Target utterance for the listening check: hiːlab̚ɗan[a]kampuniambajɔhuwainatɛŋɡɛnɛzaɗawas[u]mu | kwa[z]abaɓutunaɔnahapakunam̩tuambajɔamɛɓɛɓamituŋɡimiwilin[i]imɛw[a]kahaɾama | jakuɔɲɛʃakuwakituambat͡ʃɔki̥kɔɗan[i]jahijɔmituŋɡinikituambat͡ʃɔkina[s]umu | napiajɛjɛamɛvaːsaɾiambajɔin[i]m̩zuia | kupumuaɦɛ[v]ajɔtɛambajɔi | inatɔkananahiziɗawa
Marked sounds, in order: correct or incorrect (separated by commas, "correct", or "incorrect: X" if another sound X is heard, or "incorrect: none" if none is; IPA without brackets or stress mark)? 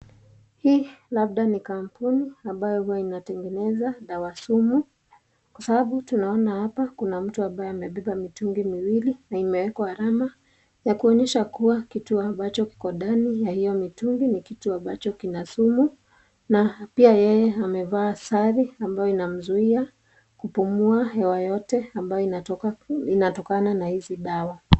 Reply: incorrect: i, correct, incorrect: s, incorrect: a, incorrect: ɛ, correct, correct, incorrect: a, incorrect: w